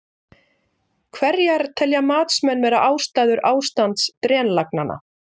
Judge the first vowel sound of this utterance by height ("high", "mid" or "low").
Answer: mid